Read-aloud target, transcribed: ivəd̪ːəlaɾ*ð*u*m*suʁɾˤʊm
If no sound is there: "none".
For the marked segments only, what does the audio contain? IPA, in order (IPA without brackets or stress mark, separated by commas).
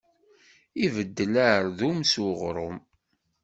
ð, m